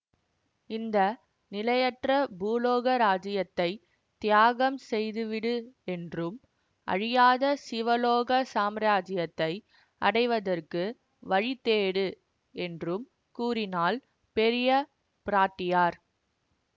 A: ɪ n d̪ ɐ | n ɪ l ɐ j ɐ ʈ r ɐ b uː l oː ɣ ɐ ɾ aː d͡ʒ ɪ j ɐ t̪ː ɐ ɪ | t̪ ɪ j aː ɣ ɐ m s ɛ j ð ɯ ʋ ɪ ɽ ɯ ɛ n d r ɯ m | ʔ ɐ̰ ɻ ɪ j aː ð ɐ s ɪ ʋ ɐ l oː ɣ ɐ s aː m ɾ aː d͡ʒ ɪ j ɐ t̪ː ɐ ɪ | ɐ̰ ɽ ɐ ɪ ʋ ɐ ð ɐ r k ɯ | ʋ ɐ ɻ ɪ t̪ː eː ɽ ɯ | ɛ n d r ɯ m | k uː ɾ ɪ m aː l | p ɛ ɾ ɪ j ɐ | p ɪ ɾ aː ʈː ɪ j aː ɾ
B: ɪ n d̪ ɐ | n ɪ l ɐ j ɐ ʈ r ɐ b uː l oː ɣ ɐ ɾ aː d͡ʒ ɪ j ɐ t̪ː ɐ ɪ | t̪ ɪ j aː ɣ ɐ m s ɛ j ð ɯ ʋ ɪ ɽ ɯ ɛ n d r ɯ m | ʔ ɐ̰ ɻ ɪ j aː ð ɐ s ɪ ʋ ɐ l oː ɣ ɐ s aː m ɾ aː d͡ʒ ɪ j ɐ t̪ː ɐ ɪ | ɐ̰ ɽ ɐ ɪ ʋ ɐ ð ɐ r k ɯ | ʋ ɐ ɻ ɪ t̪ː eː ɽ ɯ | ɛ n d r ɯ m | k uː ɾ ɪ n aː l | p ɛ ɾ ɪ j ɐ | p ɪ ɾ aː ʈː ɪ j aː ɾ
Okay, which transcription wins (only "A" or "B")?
B